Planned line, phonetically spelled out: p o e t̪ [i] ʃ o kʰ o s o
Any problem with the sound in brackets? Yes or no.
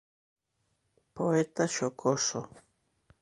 yes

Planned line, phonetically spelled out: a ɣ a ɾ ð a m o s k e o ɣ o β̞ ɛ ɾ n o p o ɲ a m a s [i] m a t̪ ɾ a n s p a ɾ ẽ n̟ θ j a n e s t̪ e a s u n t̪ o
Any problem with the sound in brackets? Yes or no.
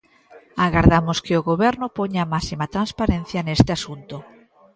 no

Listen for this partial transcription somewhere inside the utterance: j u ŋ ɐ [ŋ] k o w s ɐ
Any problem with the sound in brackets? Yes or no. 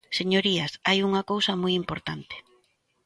yes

